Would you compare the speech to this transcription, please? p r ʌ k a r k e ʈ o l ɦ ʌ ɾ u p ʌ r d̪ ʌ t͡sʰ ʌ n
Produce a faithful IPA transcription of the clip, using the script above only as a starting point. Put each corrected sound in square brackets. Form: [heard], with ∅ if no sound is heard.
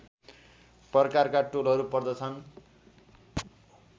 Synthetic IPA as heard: p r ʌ k a r k [a] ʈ o l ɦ ʌ ɾ u p ʌ r d̪ ʌ t͡sʰ ʌ n